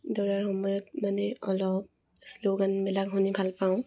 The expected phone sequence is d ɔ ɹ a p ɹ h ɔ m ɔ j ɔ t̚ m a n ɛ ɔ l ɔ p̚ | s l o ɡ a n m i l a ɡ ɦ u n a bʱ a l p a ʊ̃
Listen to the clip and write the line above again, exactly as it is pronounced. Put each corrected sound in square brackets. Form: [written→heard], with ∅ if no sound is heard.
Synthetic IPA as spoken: d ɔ ɹ a [p→∅] ɹ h ɔ m ɔ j ɔ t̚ m a n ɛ ɔ l ɔ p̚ | s l o ɡ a n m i l a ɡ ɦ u n [a→i] bʱ a l p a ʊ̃